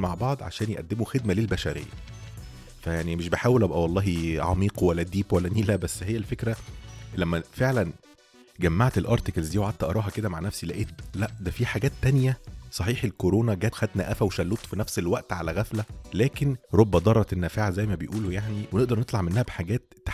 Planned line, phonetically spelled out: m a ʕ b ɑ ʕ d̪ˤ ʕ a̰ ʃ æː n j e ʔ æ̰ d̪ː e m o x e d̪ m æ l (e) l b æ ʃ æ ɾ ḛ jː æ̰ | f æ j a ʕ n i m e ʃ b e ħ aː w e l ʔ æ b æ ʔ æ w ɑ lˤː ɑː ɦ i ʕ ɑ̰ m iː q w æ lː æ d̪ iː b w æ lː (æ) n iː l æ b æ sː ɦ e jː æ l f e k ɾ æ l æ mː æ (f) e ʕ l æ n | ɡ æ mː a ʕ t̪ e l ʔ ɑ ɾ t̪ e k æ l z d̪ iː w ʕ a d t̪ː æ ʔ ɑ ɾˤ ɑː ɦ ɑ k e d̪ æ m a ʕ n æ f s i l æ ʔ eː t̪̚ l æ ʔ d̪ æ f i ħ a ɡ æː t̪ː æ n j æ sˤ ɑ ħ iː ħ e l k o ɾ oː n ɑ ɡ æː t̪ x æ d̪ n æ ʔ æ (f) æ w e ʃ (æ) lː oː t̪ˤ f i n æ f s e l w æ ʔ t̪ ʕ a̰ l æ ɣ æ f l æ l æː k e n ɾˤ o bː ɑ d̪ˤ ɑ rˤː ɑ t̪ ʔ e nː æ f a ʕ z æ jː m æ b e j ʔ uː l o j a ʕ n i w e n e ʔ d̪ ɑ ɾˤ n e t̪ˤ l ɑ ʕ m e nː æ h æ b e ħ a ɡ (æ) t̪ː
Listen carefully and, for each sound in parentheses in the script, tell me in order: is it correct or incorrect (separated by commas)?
correct, correct, correct, correct, correct, incorrect